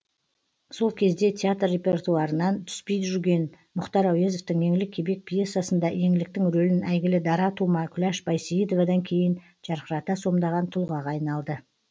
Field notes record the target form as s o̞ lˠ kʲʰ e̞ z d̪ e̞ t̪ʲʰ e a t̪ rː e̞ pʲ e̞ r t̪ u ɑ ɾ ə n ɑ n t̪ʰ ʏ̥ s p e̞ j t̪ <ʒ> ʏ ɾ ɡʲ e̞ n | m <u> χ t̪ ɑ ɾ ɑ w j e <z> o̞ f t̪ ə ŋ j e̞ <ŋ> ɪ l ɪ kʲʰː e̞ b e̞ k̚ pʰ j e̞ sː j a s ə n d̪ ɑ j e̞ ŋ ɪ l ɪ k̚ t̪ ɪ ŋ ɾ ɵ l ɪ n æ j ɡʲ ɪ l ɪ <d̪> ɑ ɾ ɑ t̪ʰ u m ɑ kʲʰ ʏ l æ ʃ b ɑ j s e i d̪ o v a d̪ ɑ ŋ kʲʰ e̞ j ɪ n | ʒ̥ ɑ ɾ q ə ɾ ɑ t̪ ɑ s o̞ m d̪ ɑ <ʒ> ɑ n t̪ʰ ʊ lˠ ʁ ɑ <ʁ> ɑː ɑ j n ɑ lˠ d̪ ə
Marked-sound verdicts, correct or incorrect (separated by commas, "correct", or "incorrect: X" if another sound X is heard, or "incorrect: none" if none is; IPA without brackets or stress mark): correct, incorrect: ʊ, correct, correct, correct, incorrect: ʁ, correct